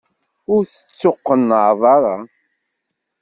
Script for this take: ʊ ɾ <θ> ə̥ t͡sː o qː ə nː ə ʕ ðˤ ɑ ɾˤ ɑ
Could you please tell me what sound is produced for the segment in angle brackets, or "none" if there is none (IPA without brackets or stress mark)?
θ